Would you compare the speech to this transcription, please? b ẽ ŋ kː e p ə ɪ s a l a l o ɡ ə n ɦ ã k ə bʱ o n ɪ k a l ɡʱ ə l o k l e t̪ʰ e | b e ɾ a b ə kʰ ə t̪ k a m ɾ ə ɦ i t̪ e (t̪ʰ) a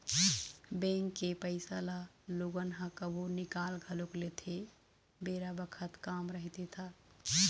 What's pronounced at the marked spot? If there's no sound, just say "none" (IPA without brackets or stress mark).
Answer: t̪ʰ